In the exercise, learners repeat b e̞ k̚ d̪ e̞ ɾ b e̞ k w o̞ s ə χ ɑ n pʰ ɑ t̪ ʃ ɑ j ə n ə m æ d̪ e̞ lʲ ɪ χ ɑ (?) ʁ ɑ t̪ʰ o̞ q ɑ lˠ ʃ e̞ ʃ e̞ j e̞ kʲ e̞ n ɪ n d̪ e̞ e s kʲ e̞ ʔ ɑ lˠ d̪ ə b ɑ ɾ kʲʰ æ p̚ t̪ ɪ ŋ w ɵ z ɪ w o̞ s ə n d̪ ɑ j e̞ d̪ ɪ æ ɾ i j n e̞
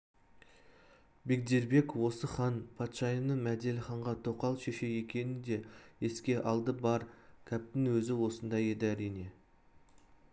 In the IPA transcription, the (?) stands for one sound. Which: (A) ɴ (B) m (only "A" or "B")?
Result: A